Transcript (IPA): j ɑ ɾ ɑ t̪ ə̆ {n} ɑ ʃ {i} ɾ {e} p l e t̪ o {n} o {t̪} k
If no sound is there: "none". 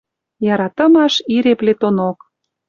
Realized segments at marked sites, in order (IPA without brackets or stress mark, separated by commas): m, i, e, n, none